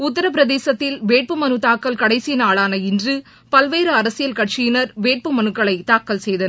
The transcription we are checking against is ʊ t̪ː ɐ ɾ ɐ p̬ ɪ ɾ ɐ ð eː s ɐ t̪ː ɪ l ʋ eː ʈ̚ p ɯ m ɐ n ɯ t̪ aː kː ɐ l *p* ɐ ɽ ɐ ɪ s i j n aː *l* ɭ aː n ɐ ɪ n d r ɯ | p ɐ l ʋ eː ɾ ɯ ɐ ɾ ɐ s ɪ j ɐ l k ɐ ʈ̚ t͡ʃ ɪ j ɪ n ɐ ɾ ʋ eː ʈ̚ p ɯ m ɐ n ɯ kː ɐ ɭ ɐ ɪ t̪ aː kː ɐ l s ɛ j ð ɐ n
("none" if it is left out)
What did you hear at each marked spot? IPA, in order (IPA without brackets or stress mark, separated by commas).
k, none